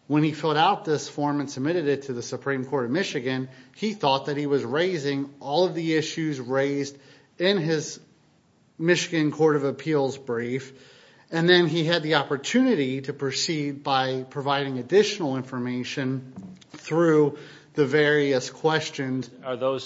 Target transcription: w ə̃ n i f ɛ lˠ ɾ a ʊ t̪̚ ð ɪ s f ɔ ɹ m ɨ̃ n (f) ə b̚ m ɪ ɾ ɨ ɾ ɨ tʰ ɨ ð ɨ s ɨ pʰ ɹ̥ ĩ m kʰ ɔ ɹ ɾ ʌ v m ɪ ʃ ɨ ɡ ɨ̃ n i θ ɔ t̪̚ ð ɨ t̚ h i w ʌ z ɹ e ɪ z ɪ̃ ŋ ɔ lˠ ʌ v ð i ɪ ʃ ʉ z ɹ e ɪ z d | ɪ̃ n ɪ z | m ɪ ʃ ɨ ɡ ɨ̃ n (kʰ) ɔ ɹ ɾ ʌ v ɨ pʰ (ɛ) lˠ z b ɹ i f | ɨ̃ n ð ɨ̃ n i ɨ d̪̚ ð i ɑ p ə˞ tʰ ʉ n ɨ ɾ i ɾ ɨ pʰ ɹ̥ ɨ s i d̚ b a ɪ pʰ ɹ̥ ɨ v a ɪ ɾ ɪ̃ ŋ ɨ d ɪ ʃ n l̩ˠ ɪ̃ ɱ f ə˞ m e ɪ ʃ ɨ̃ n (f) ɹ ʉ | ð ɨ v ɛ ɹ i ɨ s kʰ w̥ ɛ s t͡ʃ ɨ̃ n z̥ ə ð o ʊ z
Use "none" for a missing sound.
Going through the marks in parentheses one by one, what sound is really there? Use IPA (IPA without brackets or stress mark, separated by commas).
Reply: s, kʰ, i, θ